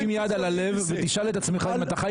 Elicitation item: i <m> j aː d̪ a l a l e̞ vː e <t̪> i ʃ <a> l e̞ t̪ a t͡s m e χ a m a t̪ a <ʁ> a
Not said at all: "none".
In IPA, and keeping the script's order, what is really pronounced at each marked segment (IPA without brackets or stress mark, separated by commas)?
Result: m, t̪, a, χ